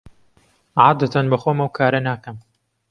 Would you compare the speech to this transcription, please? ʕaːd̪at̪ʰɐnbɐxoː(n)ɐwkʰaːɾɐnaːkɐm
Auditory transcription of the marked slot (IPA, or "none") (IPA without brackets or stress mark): m